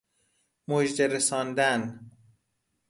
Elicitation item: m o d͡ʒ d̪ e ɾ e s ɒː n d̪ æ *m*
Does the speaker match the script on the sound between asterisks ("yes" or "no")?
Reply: no